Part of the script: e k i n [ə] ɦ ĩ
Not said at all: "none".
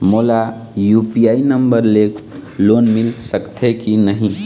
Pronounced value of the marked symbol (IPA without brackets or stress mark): ə